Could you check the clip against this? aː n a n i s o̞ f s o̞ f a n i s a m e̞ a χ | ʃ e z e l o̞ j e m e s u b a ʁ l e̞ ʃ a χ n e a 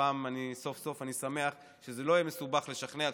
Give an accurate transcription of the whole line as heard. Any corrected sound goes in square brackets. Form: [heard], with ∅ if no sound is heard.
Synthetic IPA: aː [m] a n i s o̞ f s o̞ f a n i s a m e̞ a χ | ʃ e z e l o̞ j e m e s u b a [χ] l e̞ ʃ a χ n e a